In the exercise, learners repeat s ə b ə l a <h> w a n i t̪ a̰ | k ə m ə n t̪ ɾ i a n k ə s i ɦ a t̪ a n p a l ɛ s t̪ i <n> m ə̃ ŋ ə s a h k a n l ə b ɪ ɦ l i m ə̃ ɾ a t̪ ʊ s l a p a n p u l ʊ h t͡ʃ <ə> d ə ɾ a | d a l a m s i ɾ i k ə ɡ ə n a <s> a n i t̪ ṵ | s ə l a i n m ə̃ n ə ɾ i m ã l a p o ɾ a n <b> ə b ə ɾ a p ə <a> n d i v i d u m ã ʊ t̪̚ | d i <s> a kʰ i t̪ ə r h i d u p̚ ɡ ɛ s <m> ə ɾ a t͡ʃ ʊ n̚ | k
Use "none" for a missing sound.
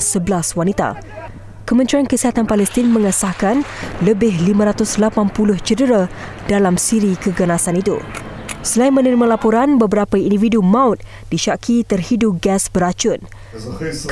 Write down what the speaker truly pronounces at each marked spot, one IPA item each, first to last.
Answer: s, n, ə, s, b, i, ʃ, b

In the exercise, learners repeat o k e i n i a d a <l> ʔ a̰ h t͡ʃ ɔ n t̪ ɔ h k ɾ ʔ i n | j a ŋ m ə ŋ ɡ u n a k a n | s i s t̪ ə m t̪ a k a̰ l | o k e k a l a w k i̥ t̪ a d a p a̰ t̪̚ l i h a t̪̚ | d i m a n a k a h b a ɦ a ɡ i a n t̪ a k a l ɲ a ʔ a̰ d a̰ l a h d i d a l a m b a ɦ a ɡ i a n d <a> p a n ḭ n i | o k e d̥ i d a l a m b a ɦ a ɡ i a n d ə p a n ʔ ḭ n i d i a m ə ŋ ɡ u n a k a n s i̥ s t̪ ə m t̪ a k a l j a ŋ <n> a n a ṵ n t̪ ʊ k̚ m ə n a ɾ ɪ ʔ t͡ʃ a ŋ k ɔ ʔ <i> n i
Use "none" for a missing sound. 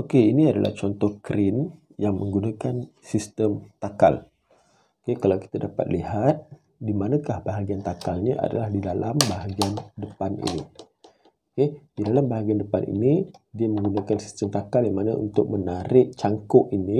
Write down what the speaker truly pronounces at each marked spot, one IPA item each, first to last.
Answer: l, ə, m, i

